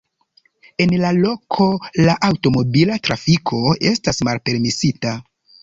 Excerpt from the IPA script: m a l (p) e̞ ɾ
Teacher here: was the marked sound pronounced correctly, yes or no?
yes